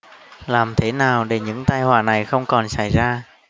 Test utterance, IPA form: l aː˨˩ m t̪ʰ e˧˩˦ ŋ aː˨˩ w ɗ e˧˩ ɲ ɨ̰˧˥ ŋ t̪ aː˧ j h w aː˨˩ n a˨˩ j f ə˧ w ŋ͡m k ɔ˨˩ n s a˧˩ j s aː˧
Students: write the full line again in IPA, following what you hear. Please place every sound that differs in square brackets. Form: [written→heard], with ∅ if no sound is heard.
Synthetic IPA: l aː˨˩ m t̪ʰ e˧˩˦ [ŋ→n] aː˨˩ w ɗ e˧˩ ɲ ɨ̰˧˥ ŋ t̪ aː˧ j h w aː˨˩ n a˨˩ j [f→x] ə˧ w ŋ͡m k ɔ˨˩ n s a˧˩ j [s→z] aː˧